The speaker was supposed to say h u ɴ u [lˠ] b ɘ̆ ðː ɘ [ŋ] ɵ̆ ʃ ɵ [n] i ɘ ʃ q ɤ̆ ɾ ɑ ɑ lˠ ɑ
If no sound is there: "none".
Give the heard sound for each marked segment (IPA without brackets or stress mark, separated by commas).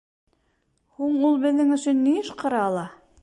lˠ, ŋ, nː